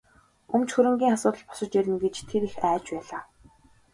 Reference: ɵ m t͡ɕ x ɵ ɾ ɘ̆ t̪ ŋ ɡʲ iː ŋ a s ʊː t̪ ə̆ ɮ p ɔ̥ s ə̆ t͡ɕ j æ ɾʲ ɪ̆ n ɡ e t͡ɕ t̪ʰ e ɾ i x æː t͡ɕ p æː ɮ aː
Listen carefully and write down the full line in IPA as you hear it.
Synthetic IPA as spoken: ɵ m t͡ɕ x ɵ ɾ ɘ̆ ŋ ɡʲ iː ŋ a s ʊː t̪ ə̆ ɮ p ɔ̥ s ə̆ t͡ɕ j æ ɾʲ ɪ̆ n ɡ e t͡ɕ t̪ʰ e ɾ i x æː t͡ɕ p æː ɮ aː